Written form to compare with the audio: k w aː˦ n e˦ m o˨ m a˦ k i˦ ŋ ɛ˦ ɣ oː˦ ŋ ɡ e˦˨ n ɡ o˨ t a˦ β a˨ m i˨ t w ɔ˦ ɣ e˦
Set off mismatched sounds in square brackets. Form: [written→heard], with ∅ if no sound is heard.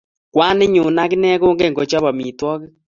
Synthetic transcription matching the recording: k w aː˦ n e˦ [m→ɲ] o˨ [m→n] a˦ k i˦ [ŋ→n] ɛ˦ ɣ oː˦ ŋ ɡ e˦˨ [n→ŋ] ɡ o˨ [t→t͡ʃ] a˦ β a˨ m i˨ t w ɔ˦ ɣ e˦